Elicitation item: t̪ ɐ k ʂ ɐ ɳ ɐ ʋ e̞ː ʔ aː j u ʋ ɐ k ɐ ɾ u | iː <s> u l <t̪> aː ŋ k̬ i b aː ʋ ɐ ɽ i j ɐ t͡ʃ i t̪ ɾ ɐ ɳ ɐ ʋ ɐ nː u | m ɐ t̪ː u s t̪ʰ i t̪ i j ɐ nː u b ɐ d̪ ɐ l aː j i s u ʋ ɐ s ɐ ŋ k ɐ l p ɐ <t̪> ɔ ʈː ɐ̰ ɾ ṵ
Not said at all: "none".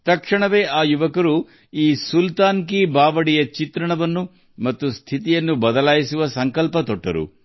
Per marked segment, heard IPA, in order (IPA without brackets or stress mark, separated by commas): s, t̪, t̪